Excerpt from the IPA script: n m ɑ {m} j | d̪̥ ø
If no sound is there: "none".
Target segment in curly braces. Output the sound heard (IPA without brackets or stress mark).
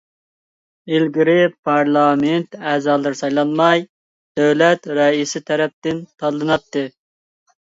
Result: none